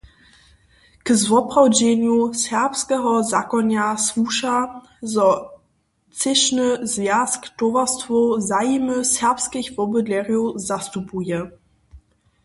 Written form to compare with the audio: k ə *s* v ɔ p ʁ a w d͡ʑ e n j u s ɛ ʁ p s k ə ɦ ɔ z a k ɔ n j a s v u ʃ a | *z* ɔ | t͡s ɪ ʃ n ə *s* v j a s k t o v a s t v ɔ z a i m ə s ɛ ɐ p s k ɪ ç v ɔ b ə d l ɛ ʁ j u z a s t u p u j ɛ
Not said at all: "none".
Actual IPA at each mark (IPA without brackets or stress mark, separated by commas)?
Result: z, z, z